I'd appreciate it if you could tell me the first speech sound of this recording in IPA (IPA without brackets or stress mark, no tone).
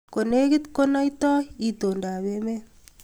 k